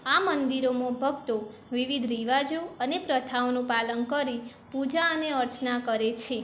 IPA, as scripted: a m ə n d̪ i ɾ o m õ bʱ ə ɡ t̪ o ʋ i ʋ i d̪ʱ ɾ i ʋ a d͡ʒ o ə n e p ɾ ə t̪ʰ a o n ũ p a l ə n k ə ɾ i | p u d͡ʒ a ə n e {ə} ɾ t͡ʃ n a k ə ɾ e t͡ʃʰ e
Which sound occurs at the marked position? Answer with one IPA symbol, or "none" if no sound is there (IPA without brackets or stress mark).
ə